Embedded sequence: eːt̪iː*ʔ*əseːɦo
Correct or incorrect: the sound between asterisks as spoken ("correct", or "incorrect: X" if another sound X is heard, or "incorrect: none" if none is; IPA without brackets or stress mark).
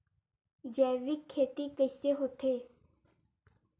incorrect: k